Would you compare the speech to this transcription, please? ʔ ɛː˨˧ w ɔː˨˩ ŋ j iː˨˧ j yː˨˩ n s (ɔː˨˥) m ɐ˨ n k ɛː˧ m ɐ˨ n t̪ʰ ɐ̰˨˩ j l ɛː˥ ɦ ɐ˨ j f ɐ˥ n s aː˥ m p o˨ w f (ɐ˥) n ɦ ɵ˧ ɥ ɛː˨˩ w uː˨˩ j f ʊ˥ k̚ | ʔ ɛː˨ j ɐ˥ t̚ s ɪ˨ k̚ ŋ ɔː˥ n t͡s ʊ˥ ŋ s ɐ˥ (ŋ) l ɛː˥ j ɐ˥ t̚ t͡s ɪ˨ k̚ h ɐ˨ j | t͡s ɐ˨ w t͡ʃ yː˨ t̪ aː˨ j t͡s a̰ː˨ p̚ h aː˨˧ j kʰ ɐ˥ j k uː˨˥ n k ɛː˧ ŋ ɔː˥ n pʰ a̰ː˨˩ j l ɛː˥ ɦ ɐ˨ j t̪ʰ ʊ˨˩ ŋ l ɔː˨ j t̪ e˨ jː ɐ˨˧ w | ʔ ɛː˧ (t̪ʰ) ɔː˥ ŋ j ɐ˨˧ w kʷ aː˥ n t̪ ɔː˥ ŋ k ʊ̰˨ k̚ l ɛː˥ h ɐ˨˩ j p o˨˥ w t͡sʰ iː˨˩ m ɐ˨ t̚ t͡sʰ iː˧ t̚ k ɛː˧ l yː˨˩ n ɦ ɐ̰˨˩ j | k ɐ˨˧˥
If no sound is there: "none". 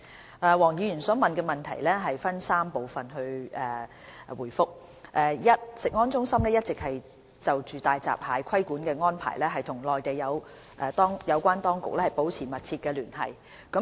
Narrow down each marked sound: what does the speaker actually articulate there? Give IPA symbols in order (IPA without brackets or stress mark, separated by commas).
ɔː˨˥, ɐ˨, m, t̪